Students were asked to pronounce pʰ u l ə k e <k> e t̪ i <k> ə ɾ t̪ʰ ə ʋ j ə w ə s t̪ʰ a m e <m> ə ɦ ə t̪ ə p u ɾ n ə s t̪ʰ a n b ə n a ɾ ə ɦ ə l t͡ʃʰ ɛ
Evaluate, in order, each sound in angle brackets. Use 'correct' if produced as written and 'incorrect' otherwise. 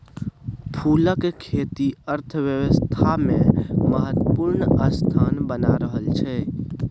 incorrect: kʰ, incorrect: none, correct

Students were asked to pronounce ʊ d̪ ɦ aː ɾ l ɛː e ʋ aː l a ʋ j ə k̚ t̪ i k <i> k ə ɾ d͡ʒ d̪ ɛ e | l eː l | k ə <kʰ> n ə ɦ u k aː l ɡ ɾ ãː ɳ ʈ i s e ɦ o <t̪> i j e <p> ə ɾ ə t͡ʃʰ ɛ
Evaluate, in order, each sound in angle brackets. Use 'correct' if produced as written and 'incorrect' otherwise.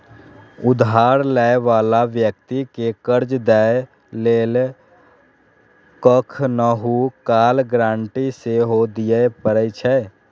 incorrect: e, correct, incorrect: d̪, correct

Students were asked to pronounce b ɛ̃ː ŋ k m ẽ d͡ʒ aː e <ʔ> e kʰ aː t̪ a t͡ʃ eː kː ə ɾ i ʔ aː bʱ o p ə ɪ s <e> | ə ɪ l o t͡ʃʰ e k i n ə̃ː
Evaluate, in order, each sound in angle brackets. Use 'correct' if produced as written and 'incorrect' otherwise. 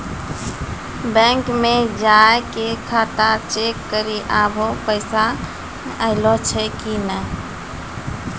incorrect: k, incorrect: a

